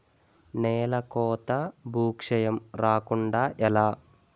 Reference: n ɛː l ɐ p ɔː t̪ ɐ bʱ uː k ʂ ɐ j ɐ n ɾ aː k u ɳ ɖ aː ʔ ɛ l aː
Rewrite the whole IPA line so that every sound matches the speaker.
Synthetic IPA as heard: n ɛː l ɐ k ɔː t̪ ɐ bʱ uː k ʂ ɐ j ɐ m ɾ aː k u ɳ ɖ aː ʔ ɛ l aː